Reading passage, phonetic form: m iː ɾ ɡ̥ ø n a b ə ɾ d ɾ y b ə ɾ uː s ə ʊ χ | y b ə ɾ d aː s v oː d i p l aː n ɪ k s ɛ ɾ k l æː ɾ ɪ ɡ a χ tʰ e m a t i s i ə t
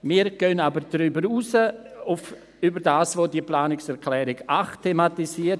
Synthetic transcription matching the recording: m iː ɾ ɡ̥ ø n a b ə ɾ d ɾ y b ə ɾ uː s ə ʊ f | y b ə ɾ d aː s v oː d i p l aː n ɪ k s ɛ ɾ k l ɛː ɾ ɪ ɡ a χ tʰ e m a t i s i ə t